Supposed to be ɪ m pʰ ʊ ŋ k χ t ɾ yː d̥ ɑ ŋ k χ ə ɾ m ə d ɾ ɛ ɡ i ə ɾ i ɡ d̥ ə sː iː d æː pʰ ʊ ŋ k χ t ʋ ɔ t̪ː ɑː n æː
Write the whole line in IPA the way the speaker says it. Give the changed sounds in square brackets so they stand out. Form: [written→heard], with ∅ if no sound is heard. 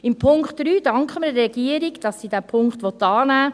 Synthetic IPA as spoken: ɪ m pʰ ʊ ŋ k χ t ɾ yː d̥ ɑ ŋ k χ ə [ɾ→∅] m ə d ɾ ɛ ɡ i ə ɾ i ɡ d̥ [ə→ɑ] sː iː d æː pʰ ʊ ŋ k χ t ʋ ɔ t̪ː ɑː n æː